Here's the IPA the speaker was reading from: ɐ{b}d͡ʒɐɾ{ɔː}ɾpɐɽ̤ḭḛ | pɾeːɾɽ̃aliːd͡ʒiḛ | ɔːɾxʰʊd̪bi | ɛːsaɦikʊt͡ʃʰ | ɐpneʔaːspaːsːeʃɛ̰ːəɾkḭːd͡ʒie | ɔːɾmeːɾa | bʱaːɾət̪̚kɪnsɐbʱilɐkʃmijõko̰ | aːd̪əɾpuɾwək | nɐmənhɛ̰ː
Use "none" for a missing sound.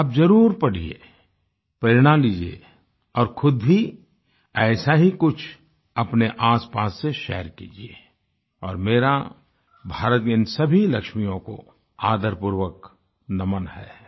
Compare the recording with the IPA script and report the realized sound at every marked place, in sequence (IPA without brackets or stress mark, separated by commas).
b, uː